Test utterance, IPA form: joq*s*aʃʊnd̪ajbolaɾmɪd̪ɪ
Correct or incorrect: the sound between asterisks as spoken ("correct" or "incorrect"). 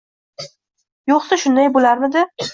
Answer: correct